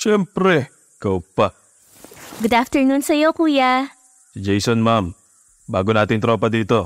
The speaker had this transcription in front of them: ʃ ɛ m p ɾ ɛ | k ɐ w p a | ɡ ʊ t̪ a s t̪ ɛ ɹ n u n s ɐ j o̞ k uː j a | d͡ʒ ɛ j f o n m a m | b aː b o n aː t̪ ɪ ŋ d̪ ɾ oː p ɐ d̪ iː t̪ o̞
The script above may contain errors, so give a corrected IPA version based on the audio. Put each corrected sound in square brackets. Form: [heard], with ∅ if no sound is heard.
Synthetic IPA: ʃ ɛ m p ɾ ɛ | k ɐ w p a | ɡ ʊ [d̪] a [f] t̪ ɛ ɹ n u n s ɐ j o̞ k uː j a | d͡ʒ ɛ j [s] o n m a m | b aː [ɡ] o n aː t̪ ɪ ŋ [t̪] ɾ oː p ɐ d̪ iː t̪ o̞